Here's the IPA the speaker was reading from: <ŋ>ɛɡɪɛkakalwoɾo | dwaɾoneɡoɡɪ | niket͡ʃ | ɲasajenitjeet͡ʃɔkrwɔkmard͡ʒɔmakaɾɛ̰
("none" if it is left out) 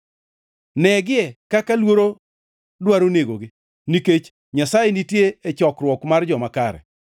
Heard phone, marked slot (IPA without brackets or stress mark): n